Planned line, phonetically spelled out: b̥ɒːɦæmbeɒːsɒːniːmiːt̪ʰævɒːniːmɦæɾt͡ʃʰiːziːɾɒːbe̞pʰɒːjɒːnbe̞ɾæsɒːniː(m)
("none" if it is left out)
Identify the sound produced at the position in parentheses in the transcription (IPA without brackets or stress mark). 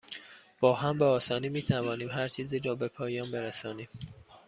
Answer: m